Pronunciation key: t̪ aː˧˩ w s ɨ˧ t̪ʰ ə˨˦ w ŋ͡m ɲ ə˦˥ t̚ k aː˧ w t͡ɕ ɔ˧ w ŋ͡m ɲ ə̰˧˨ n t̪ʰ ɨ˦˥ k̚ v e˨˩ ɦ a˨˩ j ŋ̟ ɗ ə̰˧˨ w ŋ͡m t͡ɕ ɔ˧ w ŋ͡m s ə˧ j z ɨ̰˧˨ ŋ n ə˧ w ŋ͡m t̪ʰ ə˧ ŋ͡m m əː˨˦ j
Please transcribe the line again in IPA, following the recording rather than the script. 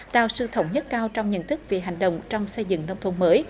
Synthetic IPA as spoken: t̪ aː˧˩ w s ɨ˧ t̪ʰ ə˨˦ w ŋ͡m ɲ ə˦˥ t̚ k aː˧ w t͡ɕ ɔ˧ w ŋ͡m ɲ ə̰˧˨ n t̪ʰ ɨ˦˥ k̚ v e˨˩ ɦ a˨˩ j ŋ̟ ɗ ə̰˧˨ w ŋ͡m t͡ɕ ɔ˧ w ŋ͡m s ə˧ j z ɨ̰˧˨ ŋ n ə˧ w ŋ͡m t̪ʰ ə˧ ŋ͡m m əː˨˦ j